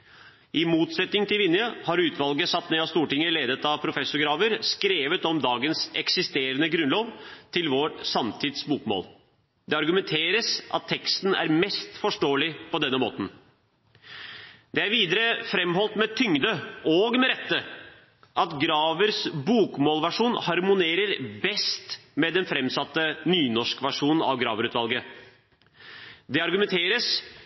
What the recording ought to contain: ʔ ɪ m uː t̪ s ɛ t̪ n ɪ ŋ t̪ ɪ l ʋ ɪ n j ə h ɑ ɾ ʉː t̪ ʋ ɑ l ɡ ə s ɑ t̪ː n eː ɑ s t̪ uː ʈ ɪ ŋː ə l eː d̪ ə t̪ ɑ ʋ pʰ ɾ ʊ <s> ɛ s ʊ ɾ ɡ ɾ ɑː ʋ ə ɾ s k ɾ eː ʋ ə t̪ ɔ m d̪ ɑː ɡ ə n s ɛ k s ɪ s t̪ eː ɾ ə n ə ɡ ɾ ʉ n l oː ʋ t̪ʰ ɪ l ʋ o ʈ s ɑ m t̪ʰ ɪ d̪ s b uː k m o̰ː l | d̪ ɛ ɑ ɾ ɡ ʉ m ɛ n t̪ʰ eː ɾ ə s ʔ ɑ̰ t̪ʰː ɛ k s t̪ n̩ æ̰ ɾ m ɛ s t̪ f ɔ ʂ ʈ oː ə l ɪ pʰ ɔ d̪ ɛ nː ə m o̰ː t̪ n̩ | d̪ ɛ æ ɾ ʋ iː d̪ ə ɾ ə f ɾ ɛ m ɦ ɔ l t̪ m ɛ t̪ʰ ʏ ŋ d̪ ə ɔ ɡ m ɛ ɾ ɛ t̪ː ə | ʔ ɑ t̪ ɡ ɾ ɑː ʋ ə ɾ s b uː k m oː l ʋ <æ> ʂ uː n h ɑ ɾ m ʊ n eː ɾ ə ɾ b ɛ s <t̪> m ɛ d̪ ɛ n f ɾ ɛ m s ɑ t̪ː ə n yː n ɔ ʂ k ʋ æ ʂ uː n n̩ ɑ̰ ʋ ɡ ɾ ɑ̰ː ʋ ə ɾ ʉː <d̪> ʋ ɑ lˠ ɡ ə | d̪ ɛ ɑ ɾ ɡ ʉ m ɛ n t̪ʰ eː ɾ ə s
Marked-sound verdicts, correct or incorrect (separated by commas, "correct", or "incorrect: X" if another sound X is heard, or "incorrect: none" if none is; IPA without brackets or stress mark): incorrect: f, correct, correct, incorrect: t̪